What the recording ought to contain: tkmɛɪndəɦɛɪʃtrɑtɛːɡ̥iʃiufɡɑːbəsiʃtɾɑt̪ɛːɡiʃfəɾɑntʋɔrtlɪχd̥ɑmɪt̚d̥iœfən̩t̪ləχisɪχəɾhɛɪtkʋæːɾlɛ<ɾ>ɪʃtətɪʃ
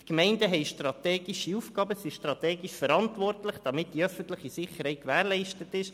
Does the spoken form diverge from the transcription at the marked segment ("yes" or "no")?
yes